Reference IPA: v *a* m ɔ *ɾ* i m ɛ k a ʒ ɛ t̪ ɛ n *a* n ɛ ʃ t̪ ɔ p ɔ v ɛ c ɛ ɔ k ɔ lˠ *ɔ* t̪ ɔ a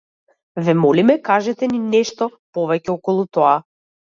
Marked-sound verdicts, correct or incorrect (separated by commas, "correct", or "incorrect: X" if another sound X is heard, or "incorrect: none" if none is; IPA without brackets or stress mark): incorrect: ɛ, incorrect: l, incorrect: i, incorrect: u